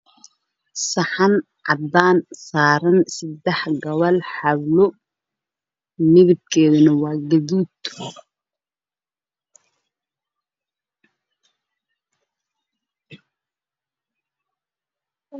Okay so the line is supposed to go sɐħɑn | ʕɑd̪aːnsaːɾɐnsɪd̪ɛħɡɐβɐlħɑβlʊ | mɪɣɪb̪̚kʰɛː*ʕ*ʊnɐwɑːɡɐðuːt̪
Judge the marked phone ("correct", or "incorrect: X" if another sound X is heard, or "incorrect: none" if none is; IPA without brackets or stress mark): incorrect: ð